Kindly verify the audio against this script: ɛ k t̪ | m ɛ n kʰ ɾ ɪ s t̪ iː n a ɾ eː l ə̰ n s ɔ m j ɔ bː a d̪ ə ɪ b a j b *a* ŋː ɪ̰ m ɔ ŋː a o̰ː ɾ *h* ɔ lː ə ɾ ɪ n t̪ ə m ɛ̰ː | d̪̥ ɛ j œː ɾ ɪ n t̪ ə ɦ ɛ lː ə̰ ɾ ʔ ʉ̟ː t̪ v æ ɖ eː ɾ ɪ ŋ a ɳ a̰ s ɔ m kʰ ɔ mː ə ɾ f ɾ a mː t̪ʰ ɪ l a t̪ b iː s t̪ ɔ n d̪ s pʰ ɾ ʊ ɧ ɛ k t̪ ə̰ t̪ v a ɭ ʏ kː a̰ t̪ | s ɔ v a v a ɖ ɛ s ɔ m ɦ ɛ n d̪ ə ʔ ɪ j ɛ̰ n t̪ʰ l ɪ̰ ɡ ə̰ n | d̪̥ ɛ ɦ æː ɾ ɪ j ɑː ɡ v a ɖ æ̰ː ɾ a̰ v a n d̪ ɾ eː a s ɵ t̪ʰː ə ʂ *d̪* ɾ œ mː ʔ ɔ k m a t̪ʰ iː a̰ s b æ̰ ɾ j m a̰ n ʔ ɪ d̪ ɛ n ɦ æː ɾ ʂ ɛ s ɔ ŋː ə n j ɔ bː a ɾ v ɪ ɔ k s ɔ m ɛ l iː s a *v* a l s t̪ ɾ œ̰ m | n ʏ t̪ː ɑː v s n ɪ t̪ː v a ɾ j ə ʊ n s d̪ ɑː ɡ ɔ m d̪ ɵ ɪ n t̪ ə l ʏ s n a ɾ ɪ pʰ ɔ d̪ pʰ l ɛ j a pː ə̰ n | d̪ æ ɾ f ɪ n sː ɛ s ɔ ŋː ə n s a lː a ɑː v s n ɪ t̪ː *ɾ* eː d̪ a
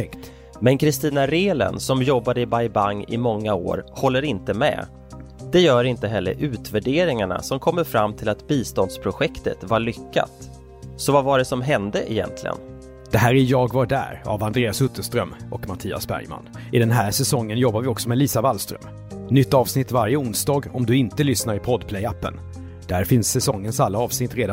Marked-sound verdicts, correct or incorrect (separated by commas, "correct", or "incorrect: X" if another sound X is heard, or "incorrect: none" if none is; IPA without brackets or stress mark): correct, correct, incorrect: t̪, correct, correct